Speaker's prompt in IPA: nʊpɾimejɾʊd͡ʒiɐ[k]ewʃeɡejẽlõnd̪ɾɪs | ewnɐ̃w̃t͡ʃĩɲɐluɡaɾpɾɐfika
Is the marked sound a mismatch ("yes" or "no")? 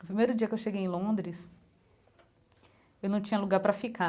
no